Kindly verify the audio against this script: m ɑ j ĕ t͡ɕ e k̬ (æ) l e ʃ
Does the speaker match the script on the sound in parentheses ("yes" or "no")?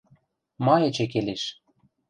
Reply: no